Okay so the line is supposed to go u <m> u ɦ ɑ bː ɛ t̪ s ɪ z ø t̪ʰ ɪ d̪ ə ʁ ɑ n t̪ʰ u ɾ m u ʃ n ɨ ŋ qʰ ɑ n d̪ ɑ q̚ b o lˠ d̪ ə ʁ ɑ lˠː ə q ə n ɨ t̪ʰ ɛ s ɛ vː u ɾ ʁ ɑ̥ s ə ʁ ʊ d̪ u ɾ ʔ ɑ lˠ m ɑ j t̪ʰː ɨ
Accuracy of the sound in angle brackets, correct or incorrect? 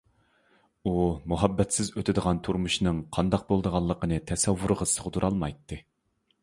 correct